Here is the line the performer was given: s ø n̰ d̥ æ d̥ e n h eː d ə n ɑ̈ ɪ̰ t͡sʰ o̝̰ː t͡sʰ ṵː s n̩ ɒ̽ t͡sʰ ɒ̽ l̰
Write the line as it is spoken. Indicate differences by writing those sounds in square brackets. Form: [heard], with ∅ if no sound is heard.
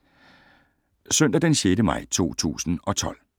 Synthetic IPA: s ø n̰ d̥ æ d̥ e n [ɕ] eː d ə [m] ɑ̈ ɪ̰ t͡sʰ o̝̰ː t͡sʰ ṵː s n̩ ɒ̽ t͡sʰ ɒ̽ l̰